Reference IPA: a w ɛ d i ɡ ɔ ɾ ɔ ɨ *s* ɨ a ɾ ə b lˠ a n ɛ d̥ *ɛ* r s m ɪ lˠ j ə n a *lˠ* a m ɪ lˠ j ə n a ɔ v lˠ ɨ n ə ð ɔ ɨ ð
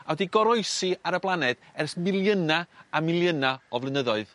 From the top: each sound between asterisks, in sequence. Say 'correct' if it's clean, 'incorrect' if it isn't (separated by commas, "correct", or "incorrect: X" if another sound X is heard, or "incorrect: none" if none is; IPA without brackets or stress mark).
correct, correct, incorrect: none